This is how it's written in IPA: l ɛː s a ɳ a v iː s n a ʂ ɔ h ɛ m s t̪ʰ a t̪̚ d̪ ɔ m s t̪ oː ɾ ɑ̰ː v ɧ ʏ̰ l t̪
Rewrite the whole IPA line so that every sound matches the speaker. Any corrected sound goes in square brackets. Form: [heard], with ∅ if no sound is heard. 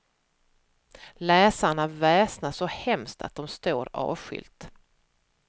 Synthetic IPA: l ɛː s a ɳ a v [ɛː] s n a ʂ ɔ h ɛ m s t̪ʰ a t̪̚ d̪ ɔ m s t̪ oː ɾ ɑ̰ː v ɧ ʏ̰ l t̪